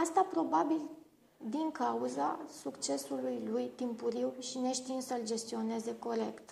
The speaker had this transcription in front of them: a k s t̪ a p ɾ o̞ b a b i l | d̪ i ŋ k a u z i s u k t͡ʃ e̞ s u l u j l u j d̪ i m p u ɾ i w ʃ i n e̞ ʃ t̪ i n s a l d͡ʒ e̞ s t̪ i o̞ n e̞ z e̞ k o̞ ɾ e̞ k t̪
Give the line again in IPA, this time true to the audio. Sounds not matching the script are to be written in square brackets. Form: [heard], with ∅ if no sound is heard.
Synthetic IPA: a [∅] s t̪ a p ɾ o̞ b a b i l | d̪ i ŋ k a u z [a] s u k t͡ʃ e̞ s u l u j l u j [t̪] i m p u ɾ i w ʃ i n e̞ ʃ t̪ i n s [ə] l d͡ʒ e̞ s t̪ i o̞ n e̞ z e̞ k o̞ ɾ e̞ k t̪